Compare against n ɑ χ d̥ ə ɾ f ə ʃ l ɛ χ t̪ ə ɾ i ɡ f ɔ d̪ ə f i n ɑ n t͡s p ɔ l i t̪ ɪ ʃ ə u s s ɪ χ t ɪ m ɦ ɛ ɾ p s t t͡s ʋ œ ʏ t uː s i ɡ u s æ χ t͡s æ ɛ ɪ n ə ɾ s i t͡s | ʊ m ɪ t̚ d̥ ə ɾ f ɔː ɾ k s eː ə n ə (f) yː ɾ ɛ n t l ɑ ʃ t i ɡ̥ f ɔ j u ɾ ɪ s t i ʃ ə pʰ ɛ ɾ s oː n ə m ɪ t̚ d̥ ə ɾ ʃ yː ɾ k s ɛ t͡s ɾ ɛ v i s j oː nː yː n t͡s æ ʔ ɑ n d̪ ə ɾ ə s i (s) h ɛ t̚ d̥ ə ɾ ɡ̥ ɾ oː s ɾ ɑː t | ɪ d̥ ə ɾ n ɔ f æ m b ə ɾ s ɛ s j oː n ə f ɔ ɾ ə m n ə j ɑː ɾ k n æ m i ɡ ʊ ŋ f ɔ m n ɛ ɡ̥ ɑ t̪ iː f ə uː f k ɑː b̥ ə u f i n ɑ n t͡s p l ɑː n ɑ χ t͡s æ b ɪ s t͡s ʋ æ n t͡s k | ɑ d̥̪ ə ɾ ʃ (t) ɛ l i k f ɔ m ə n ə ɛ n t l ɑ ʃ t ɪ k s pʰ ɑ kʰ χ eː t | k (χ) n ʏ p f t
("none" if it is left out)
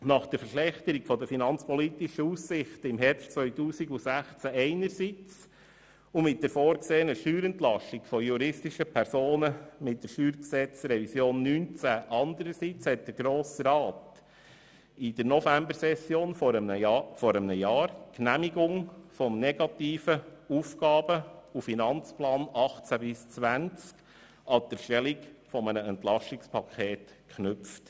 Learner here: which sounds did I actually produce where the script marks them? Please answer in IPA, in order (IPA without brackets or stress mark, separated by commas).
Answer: ʃ, t͡s, t, χ